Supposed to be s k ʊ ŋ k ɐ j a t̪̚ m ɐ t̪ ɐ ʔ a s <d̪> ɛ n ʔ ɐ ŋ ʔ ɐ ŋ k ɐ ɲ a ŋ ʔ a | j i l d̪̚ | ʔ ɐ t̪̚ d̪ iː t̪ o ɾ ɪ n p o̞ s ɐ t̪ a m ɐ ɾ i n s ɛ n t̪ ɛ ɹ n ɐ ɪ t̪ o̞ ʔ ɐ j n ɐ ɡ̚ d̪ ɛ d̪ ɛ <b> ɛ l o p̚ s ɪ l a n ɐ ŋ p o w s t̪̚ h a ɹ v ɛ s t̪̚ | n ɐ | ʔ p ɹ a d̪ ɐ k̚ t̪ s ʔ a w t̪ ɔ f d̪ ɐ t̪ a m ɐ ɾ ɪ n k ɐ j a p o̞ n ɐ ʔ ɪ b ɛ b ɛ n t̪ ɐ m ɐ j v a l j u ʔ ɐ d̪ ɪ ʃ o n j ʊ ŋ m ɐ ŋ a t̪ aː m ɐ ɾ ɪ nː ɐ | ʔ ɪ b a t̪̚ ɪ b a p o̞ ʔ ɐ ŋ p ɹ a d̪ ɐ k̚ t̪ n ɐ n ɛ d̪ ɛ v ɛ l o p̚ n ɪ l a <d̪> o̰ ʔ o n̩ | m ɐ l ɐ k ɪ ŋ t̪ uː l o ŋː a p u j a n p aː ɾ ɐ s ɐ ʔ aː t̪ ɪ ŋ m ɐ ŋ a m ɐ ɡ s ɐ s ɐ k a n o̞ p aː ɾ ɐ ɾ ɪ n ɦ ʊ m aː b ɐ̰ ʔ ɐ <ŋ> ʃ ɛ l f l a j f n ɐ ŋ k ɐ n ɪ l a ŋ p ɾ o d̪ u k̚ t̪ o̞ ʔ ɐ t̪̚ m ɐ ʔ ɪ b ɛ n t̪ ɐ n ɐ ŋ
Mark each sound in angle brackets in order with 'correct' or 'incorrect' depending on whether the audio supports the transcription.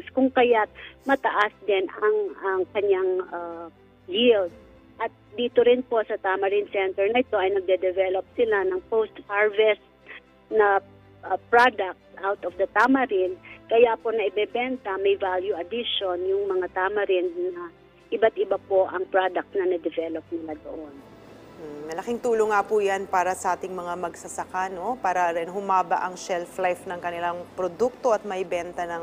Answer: correct, incorrect: v, correct, correct

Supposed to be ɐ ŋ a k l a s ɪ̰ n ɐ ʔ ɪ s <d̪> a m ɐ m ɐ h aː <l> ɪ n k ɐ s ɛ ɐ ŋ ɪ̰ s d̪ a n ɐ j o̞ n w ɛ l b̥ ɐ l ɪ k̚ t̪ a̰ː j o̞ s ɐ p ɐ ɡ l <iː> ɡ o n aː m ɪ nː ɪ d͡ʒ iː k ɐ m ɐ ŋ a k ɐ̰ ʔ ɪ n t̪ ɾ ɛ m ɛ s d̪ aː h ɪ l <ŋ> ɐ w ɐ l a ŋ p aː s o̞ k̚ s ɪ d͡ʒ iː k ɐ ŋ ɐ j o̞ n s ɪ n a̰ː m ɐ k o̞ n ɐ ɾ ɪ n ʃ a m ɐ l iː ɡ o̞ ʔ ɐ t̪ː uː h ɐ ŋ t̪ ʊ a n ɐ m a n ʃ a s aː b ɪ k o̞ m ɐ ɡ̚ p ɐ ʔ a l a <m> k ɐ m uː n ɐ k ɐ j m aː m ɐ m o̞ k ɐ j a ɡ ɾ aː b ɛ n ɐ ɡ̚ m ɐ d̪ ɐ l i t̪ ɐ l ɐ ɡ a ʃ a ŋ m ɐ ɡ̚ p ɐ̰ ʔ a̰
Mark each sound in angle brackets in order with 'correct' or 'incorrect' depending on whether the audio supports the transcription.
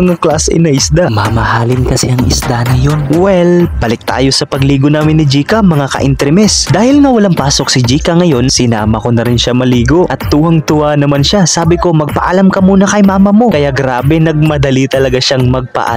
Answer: correct, correct, correct, correct, correct

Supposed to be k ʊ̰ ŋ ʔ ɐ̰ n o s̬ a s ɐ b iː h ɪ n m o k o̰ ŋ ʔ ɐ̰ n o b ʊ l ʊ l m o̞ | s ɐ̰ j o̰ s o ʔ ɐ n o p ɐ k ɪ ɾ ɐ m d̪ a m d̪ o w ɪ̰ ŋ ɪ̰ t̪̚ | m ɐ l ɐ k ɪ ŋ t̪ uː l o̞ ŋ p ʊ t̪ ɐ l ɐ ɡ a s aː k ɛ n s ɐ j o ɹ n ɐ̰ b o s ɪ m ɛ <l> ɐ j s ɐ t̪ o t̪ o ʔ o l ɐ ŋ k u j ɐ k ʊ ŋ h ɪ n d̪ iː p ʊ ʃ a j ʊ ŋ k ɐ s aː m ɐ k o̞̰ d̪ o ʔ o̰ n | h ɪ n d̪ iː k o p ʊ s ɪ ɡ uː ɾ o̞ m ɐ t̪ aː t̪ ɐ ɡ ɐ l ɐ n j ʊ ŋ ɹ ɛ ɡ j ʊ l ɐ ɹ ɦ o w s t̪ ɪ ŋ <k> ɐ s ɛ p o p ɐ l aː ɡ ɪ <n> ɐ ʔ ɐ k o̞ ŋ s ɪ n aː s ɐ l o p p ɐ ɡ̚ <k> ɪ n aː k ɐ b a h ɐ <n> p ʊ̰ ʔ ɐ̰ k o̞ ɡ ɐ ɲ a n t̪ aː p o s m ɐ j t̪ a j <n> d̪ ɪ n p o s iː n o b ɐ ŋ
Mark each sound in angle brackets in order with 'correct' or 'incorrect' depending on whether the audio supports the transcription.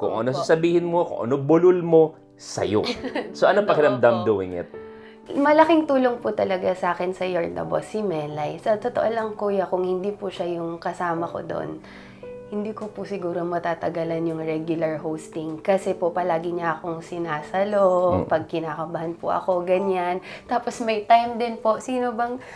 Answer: correct, correct, incorrect: ɲ, correct, correct, incorrect: m

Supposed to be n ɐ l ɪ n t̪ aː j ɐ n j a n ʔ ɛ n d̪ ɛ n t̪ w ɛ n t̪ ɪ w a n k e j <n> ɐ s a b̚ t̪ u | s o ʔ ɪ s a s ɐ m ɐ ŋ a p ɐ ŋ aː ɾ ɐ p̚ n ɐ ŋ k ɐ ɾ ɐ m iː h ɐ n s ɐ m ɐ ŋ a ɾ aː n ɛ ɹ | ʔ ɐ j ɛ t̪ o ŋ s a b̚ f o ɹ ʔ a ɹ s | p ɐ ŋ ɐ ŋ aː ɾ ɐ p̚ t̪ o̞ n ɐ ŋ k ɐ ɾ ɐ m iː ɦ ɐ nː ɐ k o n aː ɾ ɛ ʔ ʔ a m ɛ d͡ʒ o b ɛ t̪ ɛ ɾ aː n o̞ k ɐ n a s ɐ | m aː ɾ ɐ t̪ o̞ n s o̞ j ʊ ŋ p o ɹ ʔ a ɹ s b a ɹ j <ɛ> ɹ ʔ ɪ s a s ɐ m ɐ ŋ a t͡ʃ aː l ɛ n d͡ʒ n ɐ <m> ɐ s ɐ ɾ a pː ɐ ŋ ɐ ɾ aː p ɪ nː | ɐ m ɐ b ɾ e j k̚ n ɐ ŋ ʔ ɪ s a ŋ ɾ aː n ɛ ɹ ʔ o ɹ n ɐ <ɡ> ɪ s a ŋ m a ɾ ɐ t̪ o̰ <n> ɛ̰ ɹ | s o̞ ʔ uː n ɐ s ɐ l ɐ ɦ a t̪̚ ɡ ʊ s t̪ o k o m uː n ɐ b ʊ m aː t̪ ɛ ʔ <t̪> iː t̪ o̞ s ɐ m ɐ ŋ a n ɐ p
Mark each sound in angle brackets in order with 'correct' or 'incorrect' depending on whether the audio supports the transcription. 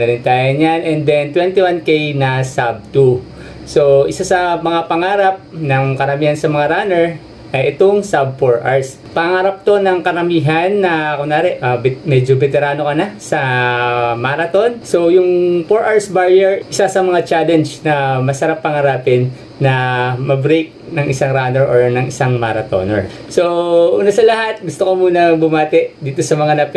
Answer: correct, correct, correct, incorrect: ŋ, correct, incorrect: d̪

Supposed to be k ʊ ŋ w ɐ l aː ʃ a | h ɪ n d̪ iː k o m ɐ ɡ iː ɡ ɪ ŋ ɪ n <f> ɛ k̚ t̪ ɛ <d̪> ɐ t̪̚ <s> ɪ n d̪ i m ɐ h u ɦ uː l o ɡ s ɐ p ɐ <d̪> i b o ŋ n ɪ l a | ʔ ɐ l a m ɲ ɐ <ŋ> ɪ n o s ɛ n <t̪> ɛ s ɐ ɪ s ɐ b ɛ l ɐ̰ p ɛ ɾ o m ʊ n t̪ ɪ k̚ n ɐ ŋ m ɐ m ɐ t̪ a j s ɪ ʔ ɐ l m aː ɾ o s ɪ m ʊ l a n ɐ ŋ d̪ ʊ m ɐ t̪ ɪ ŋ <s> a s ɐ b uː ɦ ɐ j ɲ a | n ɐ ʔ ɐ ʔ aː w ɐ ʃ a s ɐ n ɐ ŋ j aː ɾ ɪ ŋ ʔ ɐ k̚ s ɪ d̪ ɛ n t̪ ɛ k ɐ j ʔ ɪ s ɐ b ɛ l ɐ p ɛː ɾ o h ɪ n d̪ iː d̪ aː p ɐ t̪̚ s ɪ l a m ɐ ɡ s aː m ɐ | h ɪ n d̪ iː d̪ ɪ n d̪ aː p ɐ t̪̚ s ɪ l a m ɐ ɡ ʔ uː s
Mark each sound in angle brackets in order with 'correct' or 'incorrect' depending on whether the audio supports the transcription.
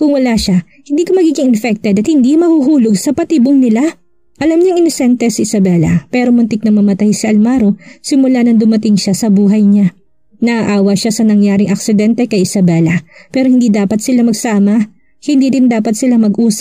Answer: correct, correct, incorrect: h, incorrect: t̪, correct, correct, incorrect: ʃ

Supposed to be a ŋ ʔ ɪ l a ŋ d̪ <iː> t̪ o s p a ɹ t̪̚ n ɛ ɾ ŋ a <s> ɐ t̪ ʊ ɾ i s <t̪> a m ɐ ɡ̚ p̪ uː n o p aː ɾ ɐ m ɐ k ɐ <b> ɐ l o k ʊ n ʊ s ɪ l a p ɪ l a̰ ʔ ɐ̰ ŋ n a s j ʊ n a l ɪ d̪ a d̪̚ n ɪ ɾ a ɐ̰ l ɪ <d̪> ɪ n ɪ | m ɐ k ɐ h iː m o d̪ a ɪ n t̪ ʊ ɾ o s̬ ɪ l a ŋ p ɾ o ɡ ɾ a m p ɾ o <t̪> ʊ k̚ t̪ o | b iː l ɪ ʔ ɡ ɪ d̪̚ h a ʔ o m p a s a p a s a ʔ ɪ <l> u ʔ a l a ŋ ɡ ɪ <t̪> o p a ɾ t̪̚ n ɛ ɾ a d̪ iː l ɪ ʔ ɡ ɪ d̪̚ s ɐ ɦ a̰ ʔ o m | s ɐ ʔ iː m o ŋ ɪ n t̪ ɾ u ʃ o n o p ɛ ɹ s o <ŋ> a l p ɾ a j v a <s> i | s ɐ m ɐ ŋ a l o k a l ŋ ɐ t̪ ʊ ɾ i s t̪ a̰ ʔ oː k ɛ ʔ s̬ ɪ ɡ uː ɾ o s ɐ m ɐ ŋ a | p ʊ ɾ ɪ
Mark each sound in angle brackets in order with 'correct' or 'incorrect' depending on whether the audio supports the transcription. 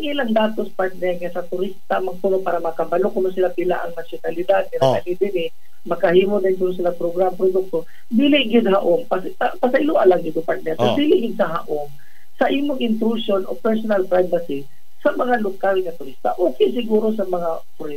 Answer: incorrect: aː, correct, correct, correct, correct, incorrect: d̪, correct, incorrect: d̪, incorrect: n, correct

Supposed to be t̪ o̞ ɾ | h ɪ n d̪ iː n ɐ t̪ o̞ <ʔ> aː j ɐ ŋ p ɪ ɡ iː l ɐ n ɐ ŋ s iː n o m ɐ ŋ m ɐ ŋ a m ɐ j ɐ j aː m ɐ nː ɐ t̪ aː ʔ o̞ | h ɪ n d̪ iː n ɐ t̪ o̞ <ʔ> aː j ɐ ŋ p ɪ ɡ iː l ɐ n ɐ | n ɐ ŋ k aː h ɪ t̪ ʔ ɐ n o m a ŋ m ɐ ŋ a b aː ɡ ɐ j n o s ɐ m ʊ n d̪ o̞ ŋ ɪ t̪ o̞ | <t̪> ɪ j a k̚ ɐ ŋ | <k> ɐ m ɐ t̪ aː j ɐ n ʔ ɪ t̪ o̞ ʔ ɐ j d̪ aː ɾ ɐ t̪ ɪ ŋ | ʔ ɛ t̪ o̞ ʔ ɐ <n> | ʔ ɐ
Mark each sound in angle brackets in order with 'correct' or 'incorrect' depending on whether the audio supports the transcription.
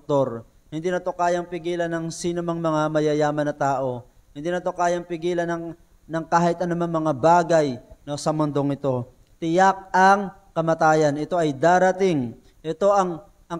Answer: incorrect: k, incorrect: k, correct, correct, incorrect: ŋ

